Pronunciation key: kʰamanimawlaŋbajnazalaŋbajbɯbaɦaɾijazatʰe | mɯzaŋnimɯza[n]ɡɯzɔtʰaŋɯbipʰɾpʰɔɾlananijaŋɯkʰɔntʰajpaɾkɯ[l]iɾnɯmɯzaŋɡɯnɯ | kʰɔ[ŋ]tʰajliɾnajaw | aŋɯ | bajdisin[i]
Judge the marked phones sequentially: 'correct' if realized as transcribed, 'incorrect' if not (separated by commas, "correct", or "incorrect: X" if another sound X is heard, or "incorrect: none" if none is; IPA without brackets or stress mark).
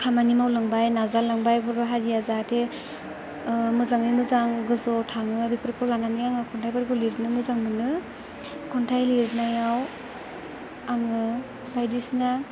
incorrect: ŋ, correct, incorrect: n, incorrect: a